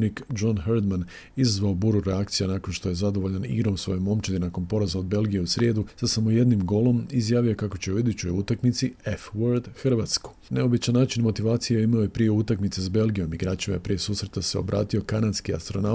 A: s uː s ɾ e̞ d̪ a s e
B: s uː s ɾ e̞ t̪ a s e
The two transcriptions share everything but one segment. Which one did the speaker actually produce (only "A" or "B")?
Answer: B